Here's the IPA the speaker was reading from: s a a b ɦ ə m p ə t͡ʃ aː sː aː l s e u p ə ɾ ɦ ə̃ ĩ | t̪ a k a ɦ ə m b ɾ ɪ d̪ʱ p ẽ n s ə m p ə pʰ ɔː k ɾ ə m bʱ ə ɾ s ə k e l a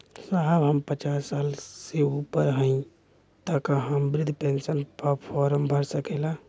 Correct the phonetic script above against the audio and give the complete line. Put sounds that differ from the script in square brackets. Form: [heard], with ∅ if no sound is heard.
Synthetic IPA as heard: s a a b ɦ ə m p ə t͡ʃ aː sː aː l s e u p ə ɾ ɦ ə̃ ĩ | t̪ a k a ɦ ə m b ɾ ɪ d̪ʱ p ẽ n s ə [n] p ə pʰ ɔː [∅] ɾ ə m bʱ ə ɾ s ə k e l a

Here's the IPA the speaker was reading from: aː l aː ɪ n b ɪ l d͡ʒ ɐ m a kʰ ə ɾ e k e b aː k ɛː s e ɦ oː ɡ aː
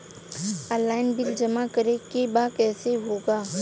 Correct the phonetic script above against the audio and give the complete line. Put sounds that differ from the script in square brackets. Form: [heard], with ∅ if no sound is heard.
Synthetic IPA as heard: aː l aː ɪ n b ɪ l d͡ʒ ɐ m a [k] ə ɾ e k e b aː k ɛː s e ɦ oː ɡ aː

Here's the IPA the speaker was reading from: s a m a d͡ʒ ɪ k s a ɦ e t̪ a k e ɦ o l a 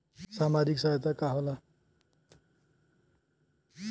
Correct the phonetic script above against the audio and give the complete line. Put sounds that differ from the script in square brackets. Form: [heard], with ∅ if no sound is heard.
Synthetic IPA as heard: s a m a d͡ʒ [i] k s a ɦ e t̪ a k [a] ɦ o l a

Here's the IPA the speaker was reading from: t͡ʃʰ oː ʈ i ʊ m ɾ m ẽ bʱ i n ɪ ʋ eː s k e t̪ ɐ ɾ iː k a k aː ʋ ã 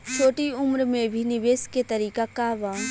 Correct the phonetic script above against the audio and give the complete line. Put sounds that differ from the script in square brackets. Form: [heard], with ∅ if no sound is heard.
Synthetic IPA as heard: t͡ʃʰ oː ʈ i ʊ m ɾ m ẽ bʱ i n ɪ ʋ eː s k e t̪ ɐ ɾ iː k a k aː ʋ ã

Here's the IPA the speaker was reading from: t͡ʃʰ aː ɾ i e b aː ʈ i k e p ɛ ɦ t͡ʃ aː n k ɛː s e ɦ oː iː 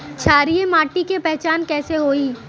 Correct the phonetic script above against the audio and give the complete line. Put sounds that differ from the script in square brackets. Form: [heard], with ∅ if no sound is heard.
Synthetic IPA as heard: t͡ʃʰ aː ɾ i e [m] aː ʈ i k e p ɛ ɦ t͡ʃ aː n k ɛː s e ɦ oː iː

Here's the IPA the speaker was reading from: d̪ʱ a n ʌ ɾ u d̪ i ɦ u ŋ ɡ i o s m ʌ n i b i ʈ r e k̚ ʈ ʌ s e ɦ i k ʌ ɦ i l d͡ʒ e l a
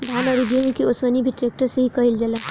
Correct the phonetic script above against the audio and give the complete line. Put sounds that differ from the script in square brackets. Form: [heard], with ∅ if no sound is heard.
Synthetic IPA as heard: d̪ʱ a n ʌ ɾ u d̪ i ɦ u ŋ [k] i o s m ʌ n i b i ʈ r e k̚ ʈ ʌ s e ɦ i k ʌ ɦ i l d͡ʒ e l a

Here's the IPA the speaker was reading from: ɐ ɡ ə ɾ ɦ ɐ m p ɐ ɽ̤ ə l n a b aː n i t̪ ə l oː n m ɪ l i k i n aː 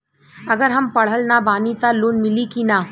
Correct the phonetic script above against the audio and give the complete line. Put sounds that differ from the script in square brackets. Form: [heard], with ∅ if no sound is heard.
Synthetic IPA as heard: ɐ ɡ ə ɾ ɦ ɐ m p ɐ ɽ̤ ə l n a b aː n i t̪ [a] l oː n m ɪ l i k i n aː

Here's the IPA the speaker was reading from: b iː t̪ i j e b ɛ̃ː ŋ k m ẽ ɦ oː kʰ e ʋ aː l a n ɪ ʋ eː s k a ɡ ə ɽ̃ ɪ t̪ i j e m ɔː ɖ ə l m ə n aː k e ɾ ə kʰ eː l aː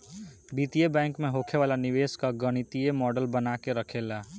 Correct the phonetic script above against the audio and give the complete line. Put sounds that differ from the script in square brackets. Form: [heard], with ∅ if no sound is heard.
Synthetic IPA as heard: b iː t̪ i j e b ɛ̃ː ŋ k m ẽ ɦ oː kʰ e ʋ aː l a n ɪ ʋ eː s k a ɡ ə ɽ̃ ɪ t̪ i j e m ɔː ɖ ə l [b] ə n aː k e ɾ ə kʰ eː l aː

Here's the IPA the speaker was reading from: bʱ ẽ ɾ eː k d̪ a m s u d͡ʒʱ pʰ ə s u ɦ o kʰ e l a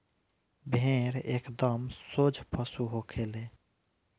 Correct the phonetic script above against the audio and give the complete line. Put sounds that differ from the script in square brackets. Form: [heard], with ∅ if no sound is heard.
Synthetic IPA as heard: bʱ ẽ ɾ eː k d̪ [ə] m s [o] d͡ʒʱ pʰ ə s u ɦ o kʰ e l [e]

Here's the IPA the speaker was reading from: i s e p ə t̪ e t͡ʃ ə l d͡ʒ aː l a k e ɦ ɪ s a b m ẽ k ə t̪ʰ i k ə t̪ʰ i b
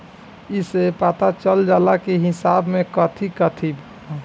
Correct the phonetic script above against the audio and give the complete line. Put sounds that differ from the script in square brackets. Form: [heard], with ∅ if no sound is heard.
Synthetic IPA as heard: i s e p [a] t̪ [a] t͡ʃ ə l d͡ʒ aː l a k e ɦ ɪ s a b m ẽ k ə t̪ʰ i k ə t̪ʰ i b

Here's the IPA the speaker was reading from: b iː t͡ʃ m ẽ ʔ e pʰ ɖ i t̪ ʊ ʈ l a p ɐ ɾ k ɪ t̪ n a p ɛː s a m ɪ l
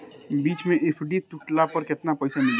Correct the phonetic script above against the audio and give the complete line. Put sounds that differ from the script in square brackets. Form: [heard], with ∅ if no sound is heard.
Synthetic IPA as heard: b iː t͡ʃ m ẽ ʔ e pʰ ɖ i t̪ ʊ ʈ l a p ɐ ɾ k ɪ t̪ n a p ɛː s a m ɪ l

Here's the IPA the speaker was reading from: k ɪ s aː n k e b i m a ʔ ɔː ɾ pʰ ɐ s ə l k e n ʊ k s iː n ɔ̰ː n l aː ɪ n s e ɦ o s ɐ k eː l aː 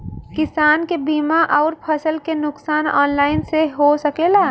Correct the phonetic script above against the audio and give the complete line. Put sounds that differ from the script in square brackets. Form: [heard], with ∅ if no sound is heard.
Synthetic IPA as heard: k ɪ s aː n k e b [iː] m a ʔ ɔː ɾ pʰ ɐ s ə l k e n ʊ k s [aː] n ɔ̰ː n l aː ɪ n s e ɦ o s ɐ k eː l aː

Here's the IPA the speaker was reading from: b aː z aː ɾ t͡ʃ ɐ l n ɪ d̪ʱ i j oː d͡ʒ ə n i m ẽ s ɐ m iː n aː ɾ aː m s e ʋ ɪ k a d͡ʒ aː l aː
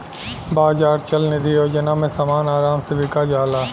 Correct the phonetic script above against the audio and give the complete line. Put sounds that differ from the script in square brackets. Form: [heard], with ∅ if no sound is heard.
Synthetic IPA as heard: b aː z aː ɾ t͡ʃ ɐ l n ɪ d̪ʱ i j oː d͡ʒ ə n [a] m ẽ s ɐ m [aː] n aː ɾ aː m s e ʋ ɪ k a d͡ʒ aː l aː

